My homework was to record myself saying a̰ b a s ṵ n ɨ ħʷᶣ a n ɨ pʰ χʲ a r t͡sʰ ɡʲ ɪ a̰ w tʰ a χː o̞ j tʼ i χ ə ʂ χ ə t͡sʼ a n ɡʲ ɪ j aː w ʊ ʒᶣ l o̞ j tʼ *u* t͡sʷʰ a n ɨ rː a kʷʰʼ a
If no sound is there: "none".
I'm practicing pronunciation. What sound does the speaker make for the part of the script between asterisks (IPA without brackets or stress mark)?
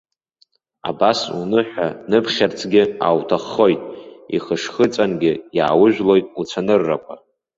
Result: u